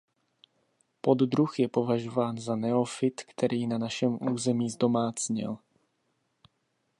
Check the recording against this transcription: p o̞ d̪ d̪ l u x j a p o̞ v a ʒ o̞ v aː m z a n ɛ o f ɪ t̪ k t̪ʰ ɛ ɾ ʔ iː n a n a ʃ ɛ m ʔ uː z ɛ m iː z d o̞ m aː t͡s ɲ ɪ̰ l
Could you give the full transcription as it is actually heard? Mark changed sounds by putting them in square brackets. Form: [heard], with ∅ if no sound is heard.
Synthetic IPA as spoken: p o̞ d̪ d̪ [ɾ] u x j [ɛ] p o̞ v a ʒ o̞ v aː [n] z a n ɛ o f ɪ t̪ k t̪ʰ ɛ ɾ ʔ iː n a n a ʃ ɛ m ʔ uː z ɛ m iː z d o̞ m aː t͡s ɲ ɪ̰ l